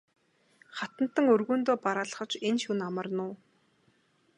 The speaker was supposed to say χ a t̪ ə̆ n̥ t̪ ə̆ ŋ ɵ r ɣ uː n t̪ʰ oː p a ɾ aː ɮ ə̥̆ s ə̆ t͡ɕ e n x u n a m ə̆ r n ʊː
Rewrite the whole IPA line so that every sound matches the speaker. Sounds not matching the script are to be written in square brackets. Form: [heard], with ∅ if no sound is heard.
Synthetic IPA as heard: χ a t̪ ə̆ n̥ t̪ ə̆ ŋ ɵ r ɣ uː n [t̪] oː p a ɾ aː ɮ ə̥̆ [χ] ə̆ t͡ɕ e n [ʃ] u n a m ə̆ r n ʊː